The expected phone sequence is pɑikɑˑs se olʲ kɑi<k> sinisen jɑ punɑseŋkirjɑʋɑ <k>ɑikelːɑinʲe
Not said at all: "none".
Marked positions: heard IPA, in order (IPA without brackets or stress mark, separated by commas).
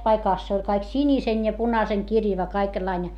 k, k